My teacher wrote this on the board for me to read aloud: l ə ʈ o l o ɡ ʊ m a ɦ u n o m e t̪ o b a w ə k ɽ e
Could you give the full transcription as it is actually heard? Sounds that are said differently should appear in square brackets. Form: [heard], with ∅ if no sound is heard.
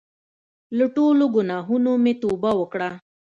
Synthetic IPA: l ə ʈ o l o ɡ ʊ [n] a ɦ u n o m e t̪ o b a w ə k ɽ [a]